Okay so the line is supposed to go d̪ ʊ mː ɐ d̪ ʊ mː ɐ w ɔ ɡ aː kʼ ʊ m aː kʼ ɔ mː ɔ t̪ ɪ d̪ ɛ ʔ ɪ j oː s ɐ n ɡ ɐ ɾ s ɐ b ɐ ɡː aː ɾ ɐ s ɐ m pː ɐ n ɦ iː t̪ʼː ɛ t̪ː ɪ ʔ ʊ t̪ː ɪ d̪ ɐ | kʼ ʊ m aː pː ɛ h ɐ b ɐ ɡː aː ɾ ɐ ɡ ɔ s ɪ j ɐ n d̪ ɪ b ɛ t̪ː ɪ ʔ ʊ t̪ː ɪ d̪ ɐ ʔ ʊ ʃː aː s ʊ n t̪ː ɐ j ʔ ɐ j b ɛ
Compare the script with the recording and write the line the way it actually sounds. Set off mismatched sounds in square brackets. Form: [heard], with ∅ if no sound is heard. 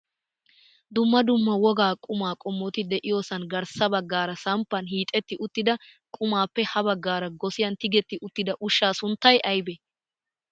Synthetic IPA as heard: d̪ ʊ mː ɐ d̪ ʊ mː ɐ w ɔ ɡ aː kʼ ʊ m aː kʼ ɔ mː ɔ t̪ ɪ d̪ ɛ ʔ ɪ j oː s ɐ n ɡ ɐ ɾ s ɐ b ɐ ɡː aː ɾ ɐ s ɐ m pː ɐ n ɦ iː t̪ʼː ɛ t̪ː ɪ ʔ ʊ t̪ː ɪ d̪ ɐ | kʼ ʊ m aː pː ɛ h ɐ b ɐ ɡː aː ɾ ɐ ɡ ɔ s ɪ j ɐ n [t̪] ɪ [ɡ] ɛ t̪ː ɪ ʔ ʊ t̪ː ɪ d̪ ɐ ʔ ʊ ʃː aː s ʊ n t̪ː ɐ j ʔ ɐ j b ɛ